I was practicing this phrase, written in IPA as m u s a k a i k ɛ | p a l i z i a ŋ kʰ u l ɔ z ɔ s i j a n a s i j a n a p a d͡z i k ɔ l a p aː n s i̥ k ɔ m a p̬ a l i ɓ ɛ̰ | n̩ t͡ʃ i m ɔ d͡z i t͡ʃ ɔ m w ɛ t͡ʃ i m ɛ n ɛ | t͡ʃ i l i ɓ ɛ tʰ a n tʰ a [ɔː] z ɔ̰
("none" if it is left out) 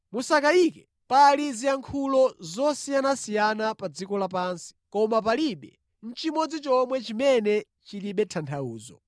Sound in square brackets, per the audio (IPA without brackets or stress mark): uː